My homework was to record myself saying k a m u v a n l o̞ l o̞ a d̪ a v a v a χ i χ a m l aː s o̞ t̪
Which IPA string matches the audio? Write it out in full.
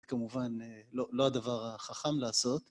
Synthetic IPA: k a m u v a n l o̞ l o̞ a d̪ a v a ʁ a χ a χ a m l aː s o̞ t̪